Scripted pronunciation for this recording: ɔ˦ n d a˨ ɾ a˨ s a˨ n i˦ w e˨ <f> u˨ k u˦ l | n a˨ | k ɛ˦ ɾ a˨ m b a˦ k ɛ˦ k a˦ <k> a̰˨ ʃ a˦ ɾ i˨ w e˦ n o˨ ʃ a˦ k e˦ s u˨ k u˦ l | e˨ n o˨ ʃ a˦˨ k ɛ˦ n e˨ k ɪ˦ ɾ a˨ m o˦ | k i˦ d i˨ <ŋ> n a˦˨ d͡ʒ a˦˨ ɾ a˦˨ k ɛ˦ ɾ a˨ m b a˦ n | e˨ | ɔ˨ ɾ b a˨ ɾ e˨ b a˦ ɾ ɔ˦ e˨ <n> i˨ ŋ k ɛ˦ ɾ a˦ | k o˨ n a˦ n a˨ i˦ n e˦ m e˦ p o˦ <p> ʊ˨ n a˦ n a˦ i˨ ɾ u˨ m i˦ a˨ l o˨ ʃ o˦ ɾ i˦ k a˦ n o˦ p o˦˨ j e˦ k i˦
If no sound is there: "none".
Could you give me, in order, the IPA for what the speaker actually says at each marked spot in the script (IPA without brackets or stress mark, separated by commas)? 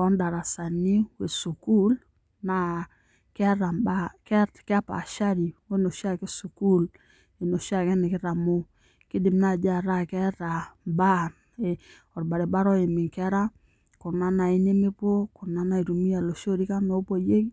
s, p, m, m, k